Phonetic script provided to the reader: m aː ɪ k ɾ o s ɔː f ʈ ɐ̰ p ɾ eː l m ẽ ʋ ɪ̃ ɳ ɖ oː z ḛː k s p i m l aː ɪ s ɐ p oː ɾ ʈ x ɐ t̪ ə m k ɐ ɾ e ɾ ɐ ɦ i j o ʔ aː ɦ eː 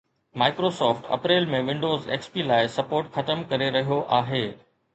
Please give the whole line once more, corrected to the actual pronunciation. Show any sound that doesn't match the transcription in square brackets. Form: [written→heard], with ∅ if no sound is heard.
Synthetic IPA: m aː ɪ k ɾ o s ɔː f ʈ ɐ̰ p ɾ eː l m ẽ ʋ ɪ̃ ɳ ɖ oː z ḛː k s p i [m→∅] l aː ɪ s ɐ p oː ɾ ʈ x ɐ t̪ ə m k ɐ ɾ e ɾ ɐ ɦ i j o ʔ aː ɦ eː

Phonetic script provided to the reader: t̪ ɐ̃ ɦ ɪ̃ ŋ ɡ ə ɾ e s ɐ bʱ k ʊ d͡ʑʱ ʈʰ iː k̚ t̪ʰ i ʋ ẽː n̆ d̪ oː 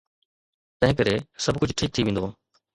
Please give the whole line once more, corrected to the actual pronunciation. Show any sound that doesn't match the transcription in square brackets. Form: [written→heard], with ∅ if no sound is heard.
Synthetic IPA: t̪ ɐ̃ ɦ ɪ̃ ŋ [ɡ→k] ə ɾ e s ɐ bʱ k ʊ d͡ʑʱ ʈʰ iː k̚ t̪ʰ i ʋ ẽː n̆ d̪ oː

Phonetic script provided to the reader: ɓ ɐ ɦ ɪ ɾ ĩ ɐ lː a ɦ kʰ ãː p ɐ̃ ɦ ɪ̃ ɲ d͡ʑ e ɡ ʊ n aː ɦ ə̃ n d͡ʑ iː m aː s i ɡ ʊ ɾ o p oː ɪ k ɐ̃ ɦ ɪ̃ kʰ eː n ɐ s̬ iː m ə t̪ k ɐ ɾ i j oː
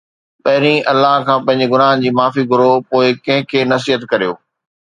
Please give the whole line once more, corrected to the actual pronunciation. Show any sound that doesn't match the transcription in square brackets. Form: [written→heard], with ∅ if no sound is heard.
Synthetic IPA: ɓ ɐ ɦ ɪ ɾ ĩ ɐ lː a ɦ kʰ ãː p ɐ̃ ɦ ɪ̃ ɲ d͡ʑ e ɡ ʊ n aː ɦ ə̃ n d͡ʑ iː m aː [s→f] i ɡ ʊ ɾ o p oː ɪ k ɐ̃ ɦ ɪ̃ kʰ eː n ɐ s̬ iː [m→∅] ə t̪ k ɐ ɾ i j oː

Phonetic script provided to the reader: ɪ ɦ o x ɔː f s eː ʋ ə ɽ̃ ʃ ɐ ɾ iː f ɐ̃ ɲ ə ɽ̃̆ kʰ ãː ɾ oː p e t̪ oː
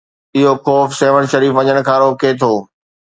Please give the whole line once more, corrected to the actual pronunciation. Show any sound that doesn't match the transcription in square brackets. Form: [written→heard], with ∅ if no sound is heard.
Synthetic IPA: ɪ ɦ o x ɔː f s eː ʋ ə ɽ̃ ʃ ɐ ɾ iː f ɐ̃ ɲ ə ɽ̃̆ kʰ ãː ɾ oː [p→k] e [t̪→t̪ʰ] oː

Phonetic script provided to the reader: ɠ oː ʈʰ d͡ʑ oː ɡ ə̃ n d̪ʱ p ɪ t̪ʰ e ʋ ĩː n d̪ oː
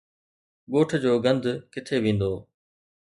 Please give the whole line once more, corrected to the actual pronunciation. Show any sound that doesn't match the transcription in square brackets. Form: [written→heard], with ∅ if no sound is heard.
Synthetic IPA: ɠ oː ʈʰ d͡ʑ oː ɡ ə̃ n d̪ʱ [p→k] ɪ t̪ʰ e ʋ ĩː n d̪ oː

